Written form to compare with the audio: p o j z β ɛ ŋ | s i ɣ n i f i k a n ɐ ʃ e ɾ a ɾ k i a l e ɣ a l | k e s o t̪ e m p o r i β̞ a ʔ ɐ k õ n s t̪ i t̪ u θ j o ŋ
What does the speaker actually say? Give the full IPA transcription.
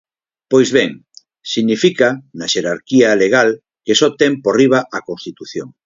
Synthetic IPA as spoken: p o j z β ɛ ŋ | s i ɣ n i f i k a n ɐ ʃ e ɾ a ɾ k i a l e ɣ a l | k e s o t̪ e m p o r i β̞ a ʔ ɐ k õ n s t̪ i t̪ u θ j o ŋ